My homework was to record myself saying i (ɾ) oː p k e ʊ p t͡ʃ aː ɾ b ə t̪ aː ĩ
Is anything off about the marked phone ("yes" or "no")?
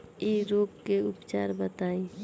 no